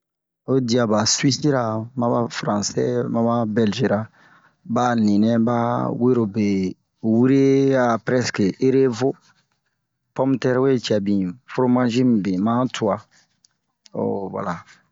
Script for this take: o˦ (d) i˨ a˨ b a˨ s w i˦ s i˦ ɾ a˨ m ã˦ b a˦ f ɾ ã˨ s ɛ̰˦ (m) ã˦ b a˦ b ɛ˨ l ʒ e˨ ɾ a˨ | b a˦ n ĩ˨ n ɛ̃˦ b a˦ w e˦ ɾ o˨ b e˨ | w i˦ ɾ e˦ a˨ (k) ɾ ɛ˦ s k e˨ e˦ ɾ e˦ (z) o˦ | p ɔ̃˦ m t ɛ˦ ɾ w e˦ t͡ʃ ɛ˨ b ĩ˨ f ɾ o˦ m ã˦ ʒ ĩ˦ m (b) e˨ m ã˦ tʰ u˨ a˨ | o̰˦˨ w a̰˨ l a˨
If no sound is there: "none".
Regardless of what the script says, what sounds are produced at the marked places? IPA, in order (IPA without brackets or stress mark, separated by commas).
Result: d, m, p, v, b